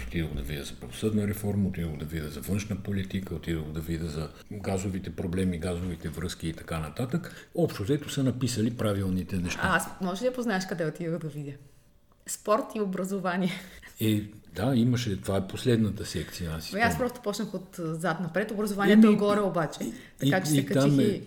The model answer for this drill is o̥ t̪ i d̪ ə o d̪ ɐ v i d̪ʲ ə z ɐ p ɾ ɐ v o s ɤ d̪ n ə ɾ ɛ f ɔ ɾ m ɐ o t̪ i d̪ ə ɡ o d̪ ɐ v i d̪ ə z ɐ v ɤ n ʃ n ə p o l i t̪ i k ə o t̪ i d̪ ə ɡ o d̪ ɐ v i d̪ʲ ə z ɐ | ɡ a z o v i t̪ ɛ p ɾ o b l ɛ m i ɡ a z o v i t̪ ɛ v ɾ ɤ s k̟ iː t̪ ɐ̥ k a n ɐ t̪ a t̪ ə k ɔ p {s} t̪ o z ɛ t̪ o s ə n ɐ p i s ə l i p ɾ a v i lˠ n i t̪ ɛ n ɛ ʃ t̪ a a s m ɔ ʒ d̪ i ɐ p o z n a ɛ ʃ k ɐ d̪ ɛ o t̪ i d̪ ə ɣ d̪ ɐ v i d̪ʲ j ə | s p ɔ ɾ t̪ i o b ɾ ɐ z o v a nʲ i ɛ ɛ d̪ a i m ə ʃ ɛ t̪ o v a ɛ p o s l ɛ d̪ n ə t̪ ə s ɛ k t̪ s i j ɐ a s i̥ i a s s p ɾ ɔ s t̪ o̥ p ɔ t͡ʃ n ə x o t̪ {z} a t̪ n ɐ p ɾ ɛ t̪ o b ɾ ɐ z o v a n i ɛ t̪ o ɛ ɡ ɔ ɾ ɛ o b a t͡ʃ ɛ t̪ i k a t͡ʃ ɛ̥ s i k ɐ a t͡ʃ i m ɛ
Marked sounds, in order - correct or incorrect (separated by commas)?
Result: incorrect, correct